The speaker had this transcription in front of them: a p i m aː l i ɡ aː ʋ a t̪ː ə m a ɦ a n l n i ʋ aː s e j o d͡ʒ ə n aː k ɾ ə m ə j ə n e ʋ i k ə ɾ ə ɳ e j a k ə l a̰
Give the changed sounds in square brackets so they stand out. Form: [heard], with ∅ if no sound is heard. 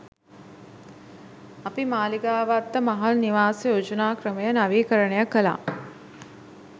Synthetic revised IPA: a p i m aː l i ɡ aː ʋ a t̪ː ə m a ɦ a [∅] l n i ʋ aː s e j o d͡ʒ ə n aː k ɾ ə m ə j ə n [a] ʋ [iː] k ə ɾ ə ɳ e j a k ə l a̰